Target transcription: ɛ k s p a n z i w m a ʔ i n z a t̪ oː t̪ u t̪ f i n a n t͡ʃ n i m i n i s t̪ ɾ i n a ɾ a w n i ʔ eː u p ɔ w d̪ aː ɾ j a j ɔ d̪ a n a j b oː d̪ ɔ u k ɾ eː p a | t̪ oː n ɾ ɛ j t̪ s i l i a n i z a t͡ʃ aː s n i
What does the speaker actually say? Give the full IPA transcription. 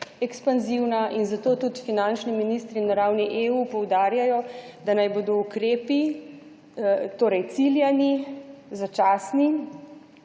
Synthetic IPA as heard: ɛ k s p a n z i w n a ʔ i n z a t̪ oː t̪ u t̪ f i n a n t͡ʃ n i m i n i s t̪ ɾ i n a ɾ a w n i ʔ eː u p ɔ w d̪ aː ɾ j a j ɔ d̪ a n a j b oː d̪ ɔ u k ɾ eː p i | t̪ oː ɾ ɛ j t̪ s i l j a n i z a t͡ʃ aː s n i